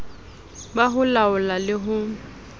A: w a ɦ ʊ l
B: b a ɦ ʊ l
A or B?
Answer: B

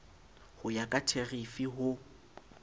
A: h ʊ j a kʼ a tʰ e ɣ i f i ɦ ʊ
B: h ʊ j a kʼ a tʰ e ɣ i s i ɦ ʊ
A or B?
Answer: A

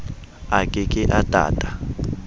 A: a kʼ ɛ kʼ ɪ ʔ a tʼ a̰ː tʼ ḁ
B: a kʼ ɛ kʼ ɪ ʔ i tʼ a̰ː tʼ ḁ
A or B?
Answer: A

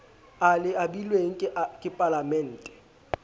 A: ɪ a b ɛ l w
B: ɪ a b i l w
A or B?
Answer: B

